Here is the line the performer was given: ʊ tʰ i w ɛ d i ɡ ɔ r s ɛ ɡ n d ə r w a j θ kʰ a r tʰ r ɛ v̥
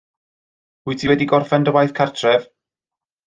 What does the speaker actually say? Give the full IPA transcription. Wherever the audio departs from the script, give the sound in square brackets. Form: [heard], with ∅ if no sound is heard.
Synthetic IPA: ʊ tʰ i w ɛ d i ɡ ɔ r [f] ɛ [∅] n d ə [∅] w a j θ kʰ a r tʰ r ɛ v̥